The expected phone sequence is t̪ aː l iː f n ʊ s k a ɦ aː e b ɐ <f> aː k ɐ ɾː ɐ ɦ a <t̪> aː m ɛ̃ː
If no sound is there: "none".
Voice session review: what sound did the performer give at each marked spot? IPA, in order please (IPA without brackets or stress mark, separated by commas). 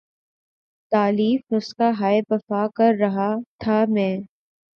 f, t̪ʰ